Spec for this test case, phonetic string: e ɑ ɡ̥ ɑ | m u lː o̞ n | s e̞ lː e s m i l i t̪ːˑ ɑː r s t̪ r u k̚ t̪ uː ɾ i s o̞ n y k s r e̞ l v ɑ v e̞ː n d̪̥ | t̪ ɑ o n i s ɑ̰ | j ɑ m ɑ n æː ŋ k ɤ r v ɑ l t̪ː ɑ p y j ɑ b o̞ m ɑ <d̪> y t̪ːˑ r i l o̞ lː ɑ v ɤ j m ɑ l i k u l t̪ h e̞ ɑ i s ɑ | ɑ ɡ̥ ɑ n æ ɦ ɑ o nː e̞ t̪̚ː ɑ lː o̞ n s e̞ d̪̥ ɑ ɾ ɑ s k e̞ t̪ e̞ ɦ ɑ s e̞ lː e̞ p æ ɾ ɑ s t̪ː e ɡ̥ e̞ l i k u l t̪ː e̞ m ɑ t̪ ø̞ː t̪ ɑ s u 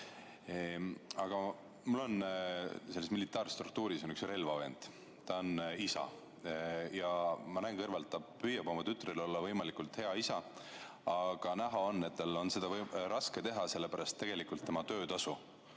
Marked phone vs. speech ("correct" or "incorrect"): incorrect